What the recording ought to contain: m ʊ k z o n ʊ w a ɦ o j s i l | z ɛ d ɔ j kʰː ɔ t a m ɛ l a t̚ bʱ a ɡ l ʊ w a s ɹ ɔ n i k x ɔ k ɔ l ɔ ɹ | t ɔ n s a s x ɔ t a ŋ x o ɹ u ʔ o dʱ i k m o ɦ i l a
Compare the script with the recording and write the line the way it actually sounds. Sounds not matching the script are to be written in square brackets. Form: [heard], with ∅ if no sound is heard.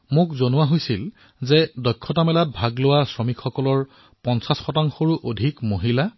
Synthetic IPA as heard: m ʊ k z o n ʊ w a ɦ o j s i l | z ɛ d ɔ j kʰː ɔ t a m ɛ l a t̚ bʱ a ɡ l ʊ w a s ɹ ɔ [m] i k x ɔ k ɔ l ɔ ɹ | [p] ɔ n s a s x ɔ t a ŋ x o ɹ u ʔ o dʱ i k m o ɦ i l a